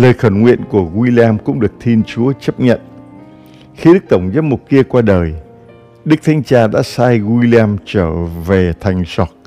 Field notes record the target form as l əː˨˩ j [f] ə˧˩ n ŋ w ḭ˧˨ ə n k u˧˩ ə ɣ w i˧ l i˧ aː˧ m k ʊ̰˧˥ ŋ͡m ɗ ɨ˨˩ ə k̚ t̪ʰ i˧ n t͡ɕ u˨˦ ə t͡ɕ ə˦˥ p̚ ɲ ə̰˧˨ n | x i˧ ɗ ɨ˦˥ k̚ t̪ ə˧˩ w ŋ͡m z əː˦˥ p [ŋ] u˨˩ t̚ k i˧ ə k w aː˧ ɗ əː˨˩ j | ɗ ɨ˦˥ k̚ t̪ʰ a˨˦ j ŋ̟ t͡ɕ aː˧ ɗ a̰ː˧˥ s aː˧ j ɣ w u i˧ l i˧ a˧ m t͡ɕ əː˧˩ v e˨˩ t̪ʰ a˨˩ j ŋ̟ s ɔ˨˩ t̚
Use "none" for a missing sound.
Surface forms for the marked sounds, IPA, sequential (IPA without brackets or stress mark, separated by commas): x, m